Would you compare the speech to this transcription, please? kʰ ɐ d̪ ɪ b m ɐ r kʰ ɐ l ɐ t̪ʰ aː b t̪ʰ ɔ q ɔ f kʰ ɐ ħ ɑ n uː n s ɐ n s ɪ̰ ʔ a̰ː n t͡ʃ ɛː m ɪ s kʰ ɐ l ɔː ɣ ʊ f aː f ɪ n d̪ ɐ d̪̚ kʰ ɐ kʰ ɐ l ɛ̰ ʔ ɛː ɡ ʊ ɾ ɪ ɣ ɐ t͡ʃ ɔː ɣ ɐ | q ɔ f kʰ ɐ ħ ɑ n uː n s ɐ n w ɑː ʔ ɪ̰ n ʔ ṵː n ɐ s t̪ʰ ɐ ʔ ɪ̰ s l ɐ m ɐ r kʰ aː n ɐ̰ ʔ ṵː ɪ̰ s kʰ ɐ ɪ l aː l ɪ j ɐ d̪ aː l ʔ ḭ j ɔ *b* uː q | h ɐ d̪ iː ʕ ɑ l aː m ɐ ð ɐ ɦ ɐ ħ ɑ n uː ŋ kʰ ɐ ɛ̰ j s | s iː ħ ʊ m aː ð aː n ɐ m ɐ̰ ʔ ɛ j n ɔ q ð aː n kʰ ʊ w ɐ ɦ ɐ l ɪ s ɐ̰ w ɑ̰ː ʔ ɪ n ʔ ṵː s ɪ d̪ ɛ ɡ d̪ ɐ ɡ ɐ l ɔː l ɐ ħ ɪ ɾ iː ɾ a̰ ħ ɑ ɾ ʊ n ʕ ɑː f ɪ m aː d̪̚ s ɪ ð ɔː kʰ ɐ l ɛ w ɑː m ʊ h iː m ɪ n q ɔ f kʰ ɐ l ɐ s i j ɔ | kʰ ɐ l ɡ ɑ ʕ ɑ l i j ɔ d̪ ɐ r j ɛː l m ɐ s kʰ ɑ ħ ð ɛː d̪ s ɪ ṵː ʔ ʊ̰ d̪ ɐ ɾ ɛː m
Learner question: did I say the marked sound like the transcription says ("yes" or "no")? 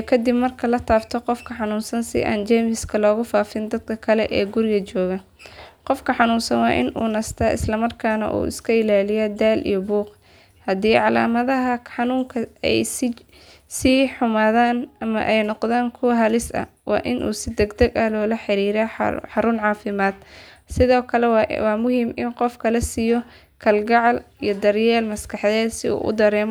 yes